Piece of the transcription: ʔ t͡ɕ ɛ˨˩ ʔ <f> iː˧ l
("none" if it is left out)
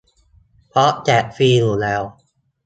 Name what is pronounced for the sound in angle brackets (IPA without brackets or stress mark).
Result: f